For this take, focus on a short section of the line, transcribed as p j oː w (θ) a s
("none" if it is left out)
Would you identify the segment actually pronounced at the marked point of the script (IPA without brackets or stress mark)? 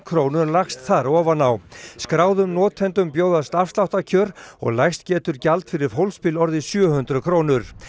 ð